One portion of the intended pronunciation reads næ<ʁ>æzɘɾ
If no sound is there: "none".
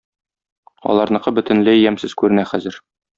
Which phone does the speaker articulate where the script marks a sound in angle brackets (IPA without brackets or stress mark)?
χ